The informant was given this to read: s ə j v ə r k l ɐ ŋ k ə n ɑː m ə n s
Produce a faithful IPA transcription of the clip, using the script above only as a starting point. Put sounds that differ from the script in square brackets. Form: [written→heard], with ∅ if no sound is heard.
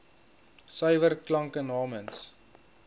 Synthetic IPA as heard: s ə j v ə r k l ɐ ŋ k ə n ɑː m ə n s